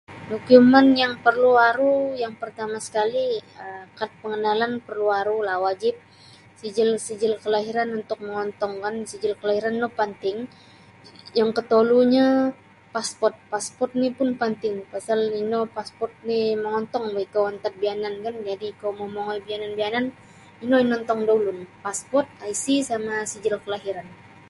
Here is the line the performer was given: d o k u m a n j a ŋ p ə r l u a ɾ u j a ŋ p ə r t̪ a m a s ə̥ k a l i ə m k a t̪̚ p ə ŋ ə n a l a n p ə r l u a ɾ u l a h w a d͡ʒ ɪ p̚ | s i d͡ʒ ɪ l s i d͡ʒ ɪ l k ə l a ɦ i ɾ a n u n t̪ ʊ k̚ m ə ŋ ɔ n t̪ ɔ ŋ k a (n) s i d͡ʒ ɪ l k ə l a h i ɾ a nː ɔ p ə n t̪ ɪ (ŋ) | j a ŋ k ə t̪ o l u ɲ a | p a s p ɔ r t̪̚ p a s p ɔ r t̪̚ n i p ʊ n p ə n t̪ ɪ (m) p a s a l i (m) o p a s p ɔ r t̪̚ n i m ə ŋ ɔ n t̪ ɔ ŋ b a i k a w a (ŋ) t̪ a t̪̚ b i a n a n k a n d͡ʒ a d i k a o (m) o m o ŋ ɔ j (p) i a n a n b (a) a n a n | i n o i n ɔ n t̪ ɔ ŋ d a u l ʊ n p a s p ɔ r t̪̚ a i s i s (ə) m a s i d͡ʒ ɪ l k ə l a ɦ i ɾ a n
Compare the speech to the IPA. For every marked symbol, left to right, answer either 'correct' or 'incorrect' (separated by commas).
correct, correct, incorrect, incorrect, incorrect, correct, incorrect, incorrect, incorrect